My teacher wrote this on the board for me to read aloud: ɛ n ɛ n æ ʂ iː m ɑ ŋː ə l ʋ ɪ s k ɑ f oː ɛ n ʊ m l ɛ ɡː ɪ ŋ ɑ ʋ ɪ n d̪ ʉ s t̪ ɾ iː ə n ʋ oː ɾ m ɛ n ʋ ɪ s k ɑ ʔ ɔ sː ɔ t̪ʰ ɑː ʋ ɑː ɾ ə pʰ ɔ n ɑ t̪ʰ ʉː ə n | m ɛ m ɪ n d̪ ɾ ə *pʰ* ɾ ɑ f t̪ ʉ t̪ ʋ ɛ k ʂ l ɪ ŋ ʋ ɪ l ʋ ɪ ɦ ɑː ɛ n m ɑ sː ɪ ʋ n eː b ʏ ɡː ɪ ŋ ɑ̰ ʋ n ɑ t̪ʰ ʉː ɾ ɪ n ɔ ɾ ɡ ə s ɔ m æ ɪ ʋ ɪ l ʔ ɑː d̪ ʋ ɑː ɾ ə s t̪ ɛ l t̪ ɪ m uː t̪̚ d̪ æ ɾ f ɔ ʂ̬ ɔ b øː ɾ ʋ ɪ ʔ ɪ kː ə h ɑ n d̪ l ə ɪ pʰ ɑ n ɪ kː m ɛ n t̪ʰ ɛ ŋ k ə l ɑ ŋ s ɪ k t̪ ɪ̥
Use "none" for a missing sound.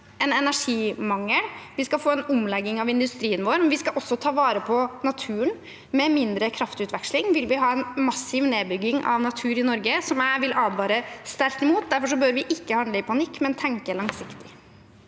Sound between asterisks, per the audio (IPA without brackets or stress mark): kʰ